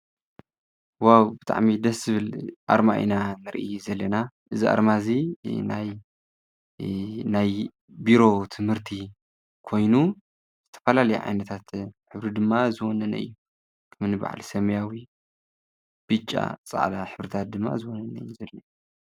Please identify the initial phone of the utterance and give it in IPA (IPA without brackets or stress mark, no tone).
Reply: w